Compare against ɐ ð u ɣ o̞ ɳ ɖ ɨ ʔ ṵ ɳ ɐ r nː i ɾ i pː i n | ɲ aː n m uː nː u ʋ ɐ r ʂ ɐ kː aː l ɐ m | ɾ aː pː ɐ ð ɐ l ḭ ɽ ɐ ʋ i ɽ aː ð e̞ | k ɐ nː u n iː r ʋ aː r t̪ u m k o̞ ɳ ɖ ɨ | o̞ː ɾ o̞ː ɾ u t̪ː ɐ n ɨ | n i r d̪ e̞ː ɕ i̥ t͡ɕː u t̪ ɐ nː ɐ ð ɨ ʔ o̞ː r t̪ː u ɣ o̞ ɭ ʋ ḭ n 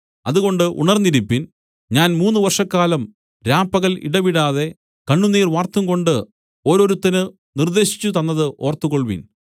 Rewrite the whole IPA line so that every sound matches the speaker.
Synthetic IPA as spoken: ɐ ð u ɣ o̞ ɳ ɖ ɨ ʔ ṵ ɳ ɐ r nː i ɾ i pː i n | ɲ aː n m uː nː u ʋ ɐ r ʂ ɐ kː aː l ɐ m | ɾ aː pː ɐ ɣ ɐ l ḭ ɽ ɐ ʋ i ɽ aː ð e̞ | k ɐ ɳː u n iː r ʋ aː r t̪ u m k o̞ ɳ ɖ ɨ | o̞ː ɾ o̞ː ɾ u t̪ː ɐ n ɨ | n i r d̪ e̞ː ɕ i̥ t͡ɕː u t̪ ɐ nː ɐ ð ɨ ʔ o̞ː r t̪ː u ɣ o̞ ɭ ʋ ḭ n